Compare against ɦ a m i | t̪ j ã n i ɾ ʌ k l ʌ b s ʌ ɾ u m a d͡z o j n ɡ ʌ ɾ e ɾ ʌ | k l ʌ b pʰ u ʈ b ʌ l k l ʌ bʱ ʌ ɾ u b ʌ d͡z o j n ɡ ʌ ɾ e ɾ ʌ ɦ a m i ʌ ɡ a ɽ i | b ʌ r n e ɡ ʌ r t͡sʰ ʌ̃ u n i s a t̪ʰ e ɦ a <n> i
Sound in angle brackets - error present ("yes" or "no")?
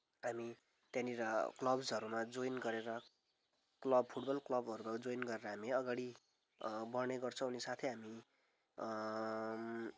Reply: yes